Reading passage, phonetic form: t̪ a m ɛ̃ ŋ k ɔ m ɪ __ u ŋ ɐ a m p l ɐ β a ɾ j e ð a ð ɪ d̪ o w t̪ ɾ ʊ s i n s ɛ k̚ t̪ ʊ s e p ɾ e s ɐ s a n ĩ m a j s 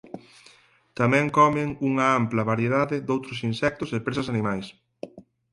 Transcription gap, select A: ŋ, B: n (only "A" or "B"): A